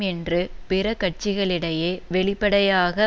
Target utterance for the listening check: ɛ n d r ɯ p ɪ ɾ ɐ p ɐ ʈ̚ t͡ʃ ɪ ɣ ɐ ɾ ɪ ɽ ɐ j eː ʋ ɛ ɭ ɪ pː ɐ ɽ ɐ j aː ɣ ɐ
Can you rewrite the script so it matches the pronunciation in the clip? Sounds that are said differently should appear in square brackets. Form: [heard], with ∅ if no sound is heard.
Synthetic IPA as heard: ɛ n d r ɯ p ɪ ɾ ɐ [k] ɐ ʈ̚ t͡ʃ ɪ ɣ ɐ [ɭ] ɪ ɽ ɐ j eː ʋ ɛ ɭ ɪ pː ɐ ɽ ɐ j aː ɣ ɐ